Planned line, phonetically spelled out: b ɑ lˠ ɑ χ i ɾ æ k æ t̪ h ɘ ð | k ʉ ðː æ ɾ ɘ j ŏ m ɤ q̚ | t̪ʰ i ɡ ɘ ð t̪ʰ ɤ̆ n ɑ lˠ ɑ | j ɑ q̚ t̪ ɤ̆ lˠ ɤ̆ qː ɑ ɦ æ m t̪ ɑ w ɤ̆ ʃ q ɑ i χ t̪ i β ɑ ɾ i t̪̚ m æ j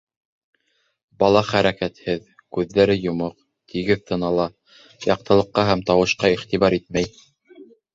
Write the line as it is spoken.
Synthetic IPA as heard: b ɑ lˠ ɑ χ æ ɾ æ k æ t̪ h ɘ ð | k ʉ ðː æ ɾ ɘ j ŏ m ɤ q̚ | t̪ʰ i ɡ ɘ ð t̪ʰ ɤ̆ n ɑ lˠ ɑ | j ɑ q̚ t̪ ɤ̆ lˠ ɤ̆ qː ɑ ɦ æ m t̪ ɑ w ɤ̆ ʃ q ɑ i χ t̪ i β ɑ ɾ i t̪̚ m æ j